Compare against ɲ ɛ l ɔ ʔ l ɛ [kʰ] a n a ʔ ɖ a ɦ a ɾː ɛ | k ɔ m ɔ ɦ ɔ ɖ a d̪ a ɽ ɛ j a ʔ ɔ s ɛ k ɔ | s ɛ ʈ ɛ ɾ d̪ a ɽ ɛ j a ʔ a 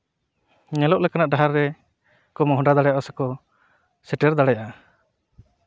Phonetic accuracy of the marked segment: incorrect: k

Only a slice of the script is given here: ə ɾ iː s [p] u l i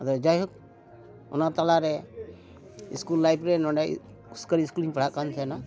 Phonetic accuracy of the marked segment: incorrect: k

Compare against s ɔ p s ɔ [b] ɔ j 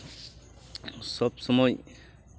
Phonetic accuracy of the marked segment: incorrect: m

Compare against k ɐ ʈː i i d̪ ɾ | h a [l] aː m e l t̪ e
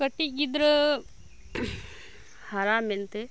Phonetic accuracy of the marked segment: incorrect: ɾ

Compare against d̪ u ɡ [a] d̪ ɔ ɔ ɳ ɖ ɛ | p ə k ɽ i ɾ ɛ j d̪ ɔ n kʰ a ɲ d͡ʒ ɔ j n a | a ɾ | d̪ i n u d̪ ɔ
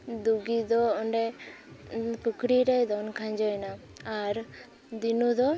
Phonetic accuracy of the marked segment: incorrect: i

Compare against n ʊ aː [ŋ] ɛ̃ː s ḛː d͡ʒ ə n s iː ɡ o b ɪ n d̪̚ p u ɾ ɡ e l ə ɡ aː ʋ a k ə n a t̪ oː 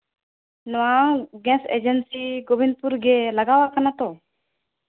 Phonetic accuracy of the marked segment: incorrect: ɡ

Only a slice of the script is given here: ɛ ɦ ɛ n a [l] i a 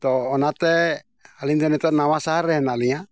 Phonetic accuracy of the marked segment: correct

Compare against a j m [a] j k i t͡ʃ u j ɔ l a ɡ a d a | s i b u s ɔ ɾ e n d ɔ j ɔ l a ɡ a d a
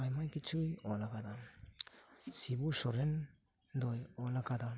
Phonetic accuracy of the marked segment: correct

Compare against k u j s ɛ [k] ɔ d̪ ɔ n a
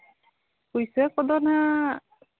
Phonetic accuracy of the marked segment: correct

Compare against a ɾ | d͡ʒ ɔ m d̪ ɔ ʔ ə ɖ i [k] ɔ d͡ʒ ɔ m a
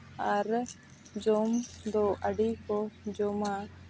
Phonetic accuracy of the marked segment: correct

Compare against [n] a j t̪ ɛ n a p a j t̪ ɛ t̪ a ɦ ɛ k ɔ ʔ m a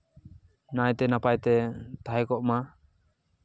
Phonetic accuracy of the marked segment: correct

